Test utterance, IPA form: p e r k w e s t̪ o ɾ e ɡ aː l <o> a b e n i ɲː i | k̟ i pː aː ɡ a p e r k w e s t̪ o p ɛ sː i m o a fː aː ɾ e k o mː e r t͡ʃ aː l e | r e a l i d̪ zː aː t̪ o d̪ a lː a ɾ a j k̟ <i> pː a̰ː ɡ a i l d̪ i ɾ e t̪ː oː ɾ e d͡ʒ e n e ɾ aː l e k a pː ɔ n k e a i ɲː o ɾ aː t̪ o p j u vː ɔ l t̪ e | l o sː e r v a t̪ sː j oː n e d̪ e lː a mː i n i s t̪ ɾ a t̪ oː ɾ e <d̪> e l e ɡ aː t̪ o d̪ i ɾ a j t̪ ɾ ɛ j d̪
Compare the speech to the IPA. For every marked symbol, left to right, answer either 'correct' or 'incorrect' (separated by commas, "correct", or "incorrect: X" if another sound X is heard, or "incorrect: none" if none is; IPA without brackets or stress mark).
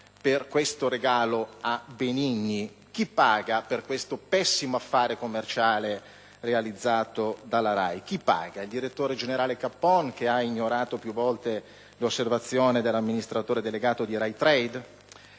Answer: correct, correct, correct